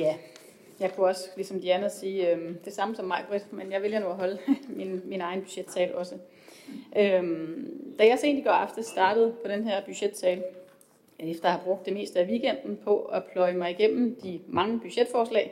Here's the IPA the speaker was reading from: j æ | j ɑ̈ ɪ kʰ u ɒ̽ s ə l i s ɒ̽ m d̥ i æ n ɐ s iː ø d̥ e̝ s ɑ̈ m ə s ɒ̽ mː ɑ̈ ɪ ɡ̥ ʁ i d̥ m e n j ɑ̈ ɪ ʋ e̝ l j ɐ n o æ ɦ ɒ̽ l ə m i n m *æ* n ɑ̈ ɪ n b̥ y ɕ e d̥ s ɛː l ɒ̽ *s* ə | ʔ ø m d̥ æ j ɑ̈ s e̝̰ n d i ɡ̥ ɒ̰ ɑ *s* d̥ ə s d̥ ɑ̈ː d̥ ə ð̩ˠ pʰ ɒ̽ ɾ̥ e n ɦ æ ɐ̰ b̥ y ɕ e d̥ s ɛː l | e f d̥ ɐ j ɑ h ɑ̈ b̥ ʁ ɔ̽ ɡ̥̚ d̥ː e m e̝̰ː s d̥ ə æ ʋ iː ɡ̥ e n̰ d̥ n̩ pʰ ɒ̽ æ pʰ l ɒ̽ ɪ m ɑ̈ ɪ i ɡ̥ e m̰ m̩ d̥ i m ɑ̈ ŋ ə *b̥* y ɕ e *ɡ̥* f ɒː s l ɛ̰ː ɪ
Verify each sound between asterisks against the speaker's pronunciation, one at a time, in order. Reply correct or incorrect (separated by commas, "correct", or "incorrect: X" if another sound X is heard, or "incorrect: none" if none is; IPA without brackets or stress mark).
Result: incorrect: i, correct, incorrect: f, correct, incorrect: d̥